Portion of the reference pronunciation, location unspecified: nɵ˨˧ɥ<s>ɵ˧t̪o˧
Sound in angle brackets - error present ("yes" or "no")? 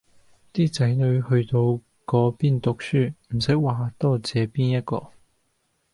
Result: yes